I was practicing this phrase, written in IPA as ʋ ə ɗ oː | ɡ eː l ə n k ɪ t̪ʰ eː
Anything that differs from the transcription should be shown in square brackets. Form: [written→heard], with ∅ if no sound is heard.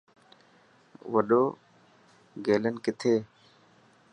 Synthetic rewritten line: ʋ ə ɗ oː | ɡ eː l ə n k ɪ t̪ʰ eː